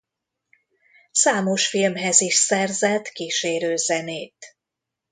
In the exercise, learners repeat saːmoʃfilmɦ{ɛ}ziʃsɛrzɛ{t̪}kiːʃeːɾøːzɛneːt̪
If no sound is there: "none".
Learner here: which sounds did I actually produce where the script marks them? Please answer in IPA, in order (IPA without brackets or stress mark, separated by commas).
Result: ɛ, t̪